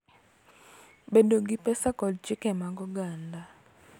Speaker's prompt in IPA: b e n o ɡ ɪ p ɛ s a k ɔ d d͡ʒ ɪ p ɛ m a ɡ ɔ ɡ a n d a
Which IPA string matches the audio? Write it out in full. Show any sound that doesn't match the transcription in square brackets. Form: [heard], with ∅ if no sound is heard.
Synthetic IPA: b e [d] o ɡ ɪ p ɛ s a k ɔ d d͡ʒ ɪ [k] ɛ m a ɡ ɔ ɡ a n d a